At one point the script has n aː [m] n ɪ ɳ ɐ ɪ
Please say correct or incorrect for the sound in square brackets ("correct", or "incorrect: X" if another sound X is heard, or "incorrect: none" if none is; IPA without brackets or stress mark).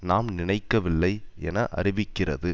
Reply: correct